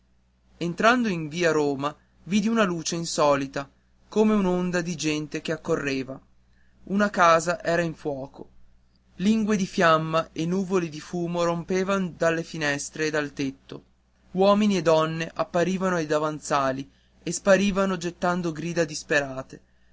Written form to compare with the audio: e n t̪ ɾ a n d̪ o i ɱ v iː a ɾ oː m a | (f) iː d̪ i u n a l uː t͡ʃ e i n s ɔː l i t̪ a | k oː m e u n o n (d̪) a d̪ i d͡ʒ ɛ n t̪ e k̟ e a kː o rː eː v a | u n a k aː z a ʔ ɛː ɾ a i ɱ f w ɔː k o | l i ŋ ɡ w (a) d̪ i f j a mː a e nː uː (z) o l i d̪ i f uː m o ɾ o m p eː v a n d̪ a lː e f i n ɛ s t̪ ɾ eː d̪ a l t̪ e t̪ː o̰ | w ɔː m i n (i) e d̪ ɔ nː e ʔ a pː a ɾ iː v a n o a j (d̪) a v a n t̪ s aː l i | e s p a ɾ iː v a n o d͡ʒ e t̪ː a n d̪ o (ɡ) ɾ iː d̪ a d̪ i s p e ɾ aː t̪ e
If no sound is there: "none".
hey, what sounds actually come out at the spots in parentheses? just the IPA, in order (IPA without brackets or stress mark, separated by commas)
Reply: v, d̪, e, v, i, d̪, ɡ